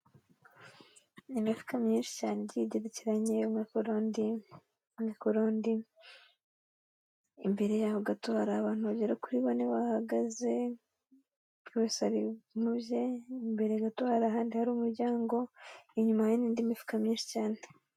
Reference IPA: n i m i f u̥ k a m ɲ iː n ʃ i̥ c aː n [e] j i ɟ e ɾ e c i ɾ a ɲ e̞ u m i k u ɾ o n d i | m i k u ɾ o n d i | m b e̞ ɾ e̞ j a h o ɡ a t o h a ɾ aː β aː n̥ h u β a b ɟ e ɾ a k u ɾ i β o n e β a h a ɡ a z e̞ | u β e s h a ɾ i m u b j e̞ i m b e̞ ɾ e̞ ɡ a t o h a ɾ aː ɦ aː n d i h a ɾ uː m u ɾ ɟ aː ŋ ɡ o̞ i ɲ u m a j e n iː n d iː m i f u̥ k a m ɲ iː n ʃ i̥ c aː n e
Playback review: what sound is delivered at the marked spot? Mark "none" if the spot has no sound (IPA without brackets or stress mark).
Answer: e